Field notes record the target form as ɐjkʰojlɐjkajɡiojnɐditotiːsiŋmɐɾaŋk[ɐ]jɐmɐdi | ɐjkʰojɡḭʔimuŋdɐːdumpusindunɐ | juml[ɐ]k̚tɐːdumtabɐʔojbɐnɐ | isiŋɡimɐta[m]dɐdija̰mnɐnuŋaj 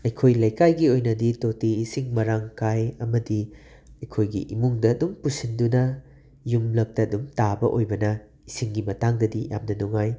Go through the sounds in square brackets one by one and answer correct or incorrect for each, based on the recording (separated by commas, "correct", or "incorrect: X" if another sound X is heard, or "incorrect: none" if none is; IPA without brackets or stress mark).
incorrect: a, correct, incorrect: ŋ